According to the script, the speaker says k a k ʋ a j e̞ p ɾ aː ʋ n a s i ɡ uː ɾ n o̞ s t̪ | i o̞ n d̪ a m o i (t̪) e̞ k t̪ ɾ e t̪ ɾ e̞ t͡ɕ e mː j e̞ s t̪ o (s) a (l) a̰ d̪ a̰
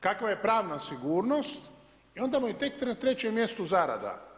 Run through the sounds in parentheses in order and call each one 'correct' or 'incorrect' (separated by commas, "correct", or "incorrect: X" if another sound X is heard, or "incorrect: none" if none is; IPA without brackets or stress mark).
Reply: correct, incorrect: z, incorrect: ɾ